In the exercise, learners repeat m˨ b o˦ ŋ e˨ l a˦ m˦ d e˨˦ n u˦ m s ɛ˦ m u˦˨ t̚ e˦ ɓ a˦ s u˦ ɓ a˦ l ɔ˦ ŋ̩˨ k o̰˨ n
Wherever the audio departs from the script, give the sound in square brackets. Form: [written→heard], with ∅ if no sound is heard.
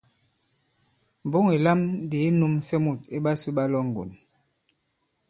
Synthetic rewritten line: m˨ b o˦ ŋ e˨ l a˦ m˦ d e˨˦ n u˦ m s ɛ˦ m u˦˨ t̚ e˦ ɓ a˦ s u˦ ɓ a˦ l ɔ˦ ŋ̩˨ [k→ɡ] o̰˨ n